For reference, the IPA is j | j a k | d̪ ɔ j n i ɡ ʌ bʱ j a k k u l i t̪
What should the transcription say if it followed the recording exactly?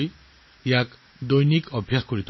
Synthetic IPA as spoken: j | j a k | d̪ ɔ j n i k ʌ bʱ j a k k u ɾ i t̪